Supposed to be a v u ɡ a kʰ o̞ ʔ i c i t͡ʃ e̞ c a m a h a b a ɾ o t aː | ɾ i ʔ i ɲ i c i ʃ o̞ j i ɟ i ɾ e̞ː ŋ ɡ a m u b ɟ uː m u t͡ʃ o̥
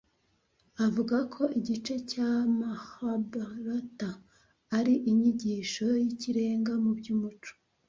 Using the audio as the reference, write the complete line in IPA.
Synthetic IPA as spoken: a v u ɡ a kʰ o̞ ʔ i ɟ i t͡ʃ e̞ c a m a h a b a ɾ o t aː | ɾ i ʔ i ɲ i ɟ i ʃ o̞ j i c i ɾ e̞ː ŋ ɡ a m u b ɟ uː m u t͡ʃ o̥